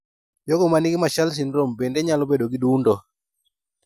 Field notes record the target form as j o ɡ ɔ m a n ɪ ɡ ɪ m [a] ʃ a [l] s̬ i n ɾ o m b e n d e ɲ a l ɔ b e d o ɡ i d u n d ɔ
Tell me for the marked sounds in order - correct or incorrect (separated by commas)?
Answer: correct, correct